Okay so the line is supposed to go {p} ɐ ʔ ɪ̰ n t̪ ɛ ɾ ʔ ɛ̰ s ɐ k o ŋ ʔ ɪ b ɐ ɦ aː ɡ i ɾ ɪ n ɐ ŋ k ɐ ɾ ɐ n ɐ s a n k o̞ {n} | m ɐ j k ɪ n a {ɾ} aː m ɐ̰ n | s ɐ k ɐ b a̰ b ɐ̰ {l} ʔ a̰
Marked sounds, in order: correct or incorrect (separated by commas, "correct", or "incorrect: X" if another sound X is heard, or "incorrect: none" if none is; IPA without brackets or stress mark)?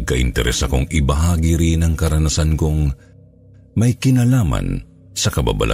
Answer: incorrect: k, incorrect: ŋ, incorrect: l, correct